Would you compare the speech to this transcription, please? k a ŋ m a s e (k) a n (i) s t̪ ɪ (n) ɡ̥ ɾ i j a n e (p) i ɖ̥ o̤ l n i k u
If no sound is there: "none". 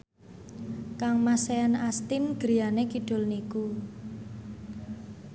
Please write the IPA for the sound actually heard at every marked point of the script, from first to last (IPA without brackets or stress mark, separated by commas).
none, a, n, k